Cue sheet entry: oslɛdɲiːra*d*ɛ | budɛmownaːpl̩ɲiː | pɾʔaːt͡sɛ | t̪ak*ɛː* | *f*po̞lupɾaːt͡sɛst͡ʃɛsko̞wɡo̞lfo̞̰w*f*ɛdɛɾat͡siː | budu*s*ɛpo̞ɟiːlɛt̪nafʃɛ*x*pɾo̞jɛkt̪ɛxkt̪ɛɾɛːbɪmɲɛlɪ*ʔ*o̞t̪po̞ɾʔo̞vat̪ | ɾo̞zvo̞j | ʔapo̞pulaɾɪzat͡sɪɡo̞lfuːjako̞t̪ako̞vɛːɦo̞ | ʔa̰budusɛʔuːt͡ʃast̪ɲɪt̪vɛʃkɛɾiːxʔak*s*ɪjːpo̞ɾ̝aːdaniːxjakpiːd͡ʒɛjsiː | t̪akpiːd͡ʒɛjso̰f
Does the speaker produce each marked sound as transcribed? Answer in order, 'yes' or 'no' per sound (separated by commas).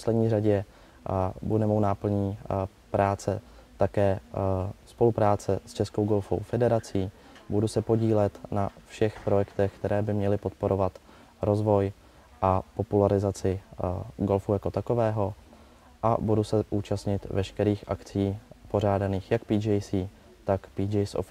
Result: no, yes, no, yes, yes, yes, no, no